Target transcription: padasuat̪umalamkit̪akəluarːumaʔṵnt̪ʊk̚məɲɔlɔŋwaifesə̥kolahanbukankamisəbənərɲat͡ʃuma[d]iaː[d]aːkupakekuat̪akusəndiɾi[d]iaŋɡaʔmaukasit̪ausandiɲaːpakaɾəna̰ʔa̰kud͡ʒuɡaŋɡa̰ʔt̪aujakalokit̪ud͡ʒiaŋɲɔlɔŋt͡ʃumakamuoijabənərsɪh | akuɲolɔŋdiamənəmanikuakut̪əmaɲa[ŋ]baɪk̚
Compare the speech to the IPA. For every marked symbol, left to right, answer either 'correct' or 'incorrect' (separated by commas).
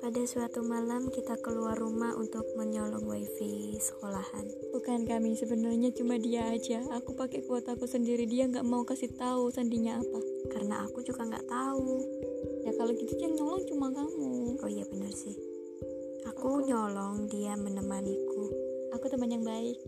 correct, incorrect, correct, correct